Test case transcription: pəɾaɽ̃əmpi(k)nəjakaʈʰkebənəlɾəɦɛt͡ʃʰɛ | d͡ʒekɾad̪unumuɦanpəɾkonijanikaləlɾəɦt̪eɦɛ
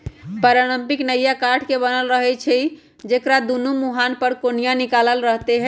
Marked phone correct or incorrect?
correct